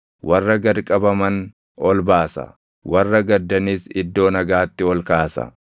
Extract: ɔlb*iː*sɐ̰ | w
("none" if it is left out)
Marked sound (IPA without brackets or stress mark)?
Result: aː